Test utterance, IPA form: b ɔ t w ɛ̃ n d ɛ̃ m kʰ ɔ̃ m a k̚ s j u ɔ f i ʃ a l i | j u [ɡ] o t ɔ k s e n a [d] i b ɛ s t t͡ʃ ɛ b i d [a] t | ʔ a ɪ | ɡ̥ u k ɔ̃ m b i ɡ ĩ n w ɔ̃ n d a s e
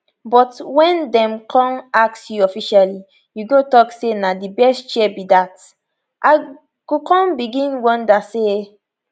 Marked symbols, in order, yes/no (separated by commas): yes, yes, yes